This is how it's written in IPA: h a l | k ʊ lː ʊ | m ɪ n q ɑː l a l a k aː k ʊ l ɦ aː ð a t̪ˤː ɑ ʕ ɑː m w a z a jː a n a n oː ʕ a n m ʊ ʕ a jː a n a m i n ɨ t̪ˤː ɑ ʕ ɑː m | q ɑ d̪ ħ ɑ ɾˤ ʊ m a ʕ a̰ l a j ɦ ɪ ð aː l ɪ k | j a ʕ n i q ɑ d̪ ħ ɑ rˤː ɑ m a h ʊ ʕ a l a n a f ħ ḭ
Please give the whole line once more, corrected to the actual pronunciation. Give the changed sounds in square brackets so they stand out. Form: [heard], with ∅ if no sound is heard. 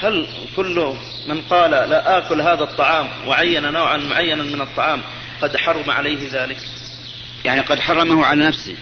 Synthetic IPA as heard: h a l | k ʊ lː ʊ | m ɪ n q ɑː l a l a [ʔ] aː k ʊ l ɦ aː ð a t̪ˤː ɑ ʕ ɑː m w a [ʕ] a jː a n a n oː ʕ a n m ʊ ʕ a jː a n a m [ɪ] n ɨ t̪ˤː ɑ ʕ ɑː m | q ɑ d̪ ħ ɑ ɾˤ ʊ m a ʕ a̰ l a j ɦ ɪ ð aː l ɪ k | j a ʕ n i q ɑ d̪ ħ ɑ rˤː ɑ m a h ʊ ʕ a l a n a f [s] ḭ